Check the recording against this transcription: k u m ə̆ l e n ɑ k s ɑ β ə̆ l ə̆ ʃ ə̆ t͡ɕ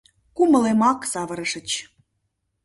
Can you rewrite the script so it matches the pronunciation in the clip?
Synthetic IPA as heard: k u m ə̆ l e m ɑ k s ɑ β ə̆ ɾ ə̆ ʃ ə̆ t͡ɕ